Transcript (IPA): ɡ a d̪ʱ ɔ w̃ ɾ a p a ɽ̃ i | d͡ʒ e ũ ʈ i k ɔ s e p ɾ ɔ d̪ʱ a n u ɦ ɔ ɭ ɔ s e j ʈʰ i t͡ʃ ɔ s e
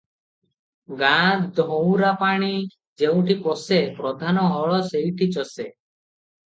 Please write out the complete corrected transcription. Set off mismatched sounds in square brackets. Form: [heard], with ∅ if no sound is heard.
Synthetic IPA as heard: ɡ a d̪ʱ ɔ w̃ ɾ a p a ɽ̃ i | d͡ʒ e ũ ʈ i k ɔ s e p ɾ ɔ d̪ʱ a n [ɔ] ɦ ɔ ɭ ɔ s e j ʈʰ i t͡ʃ ɔ s e